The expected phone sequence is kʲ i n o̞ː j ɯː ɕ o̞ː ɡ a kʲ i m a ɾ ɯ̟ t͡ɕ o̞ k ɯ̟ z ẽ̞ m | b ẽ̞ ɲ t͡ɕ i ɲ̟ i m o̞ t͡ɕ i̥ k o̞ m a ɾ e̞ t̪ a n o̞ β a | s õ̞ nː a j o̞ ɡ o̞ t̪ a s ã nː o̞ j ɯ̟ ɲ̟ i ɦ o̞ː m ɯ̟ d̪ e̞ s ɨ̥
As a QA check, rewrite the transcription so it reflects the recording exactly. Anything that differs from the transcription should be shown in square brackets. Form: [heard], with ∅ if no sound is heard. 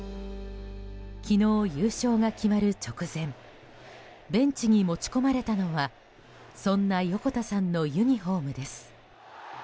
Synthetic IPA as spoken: kʲ i n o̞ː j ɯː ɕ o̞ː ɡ a kʲ i m a ɾ ɯ̟ t͡ɕ o̞ k ɯ̟ z ẽ̞ m | b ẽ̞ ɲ t͡ɕ i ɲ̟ i m o̞ t͡ɕ i̥ k o̞ m a ɾ e̞ t̪ a n o̞ β a | s õ̞ nː a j o̞ [k] o̞ t̪ a s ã nː o̞ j ɯ̟ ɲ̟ i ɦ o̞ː m ɯ̟ d̪ e̞ s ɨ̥